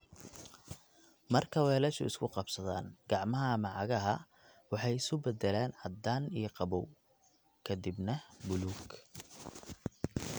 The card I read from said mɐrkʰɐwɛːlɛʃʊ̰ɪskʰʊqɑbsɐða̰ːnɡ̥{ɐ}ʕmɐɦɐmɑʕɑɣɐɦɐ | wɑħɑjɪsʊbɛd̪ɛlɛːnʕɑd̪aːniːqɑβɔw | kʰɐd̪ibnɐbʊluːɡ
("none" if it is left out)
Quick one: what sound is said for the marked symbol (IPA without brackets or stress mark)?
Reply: ɑ